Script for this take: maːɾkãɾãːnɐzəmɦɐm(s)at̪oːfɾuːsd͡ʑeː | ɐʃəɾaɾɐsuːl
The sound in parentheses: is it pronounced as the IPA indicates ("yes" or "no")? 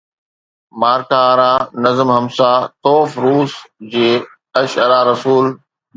yes